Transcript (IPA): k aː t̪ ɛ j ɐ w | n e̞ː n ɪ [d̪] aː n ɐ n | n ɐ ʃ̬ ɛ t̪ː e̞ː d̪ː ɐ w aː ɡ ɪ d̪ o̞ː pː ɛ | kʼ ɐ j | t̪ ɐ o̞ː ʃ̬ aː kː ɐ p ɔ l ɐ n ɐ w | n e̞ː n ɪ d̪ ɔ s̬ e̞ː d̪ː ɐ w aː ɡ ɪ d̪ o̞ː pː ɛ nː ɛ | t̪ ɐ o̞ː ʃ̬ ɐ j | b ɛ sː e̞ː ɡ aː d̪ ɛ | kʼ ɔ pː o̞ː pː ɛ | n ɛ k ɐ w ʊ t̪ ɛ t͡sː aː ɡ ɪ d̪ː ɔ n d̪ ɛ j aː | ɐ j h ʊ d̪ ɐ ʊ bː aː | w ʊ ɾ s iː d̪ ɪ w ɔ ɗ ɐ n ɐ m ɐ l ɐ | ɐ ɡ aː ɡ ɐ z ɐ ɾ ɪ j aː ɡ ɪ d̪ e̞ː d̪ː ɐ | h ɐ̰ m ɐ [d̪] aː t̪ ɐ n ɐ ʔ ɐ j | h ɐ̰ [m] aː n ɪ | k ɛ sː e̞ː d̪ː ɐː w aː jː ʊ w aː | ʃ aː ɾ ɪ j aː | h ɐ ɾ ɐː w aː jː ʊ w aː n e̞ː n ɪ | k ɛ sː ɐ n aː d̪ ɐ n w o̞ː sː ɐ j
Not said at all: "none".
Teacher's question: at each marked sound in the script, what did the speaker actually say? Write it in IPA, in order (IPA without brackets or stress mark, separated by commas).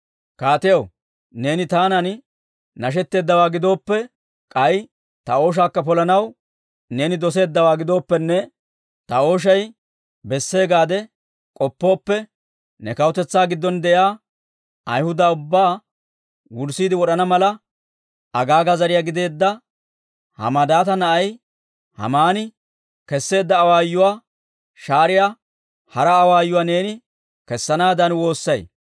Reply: t̪, d̪, m